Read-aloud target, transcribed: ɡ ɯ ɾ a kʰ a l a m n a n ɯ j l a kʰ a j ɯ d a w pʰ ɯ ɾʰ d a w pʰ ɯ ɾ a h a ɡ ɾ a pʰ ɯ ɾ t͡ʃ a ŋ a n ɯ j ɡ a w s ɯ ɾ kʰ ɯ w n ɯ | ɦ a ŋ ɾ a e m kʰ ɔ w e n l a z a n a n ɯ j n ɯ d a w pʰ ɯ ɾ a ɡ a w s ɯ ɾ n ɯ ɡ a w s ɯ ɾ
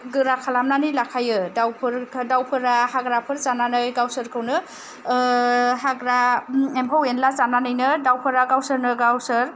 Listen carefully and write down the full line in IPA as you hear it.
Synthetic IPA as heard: ɡ ɯ ɾ a kʰ a l a m n a n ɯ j l a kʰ a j ɯ d a w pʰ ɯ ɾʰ d a w pʰ ɯ ɾ a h a ɡ ɾ a pʰ ɯ ɾ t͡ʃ a n a n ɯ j ɡ a w s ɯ ɾ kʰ ɯ w n ɯ | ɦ a ɡ ɾ a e m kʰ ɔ w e n l a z a n a n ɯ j n ɯ d a w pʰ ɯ ɾ a ɡ a w s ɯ ɾ n ɯ ɡ a w s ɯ ɾ